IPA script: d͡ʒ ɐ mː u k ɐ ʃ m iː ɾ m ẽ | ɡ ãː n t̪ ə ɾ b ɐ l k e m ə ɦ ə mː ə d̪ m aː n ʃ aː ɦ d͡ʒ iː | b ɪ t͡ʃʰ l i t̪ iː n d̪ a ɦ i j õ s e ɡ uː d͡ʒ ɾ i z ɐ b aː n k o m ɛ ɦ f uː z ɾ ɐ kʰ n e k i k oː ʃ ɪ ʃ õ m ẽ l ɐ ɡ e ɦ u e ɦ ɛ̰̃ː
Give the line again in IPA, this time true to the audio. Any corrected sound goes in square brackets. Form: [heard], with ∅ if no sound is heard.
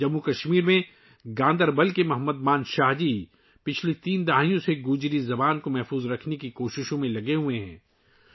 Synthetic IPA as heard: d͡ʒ ɐ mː u k ɐ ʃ m iː ɾ m ẽ | ɡ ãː n [d̪] ə ɾ b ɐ l k e m [ɐ] ɦ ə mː ə d̪ m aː n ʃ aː ɦ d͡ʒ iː | [p] ɪ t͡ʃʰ l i t̪ iː n d̪ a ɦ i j õ s e ɡ uː d͡ʒ ɾ i z ɐ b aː n k o m ɛ ɦ f uː z ɾ ɐ kʰ n e k i k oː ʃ ɪ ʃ õ m ẽ l ɐ ɡ e ɦ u e ɦ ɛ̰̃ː